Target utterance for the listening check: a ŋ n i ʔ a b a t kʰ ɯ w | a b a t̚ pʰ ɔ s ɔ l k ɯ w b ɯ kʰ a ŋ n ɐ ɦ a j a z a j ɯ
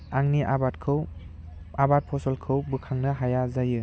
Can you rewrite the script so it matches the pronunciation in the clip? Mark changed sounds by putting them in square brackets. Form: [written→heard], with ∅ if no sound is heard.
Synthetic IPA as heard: a ŋ n i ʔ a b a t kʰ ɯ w | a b a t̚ pʰ ɔ s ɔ l [k→kʰ] ɯ w b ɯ kʰ a ŋ n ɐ ɦ a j a z a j ɯ